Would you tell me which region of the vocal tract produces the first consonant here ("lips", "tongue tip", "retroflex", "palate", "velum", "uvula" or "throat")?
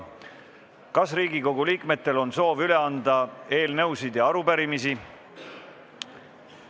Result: velum